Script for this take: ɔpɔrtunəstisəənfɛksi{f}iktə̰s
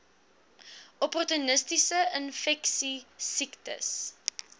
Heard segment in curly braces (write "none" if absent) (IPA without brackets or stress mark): s